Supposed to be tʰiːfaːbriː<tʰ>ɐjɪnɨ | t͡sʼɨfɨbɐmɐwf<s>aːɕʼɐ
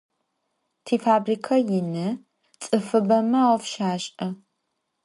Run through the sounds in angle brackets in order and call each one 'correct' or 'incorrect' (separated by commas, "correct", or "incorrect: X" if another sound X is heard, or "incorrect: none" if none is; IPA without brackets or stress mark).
incorrect: kʰ, incorrect: ʃ